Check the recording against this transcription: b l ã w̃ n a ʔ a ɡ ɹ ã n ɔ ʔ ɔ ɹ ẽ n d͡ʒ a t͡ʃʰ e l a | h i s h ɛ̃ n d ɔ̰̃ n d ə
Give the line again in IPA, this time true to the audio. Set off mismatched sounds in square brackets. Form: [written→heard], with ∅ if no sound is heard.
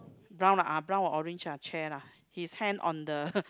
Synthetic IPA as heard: b [l→ɹ] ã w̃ n a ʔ a [ɡ→b] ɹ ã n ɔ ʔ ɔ ɹ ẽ n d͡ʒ a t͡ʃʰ [e→ɛ] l a | h i s h ɛ̃ n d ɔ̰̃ n d ə